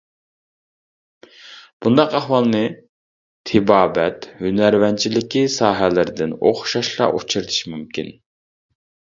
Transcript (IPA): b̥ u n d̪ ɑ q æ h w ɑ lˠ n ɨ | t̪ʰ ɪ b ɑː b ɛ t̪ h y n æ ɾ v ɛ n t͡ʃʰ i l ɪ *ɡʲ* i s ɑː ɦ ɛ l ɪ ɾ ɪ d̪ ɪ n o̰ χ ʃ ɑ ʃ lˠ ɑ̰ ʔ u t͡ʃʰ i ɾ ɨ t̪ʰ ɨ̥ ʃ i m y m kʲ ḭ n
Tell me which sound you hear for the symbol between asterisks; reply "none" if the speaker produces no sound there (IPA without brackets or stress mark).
kʲ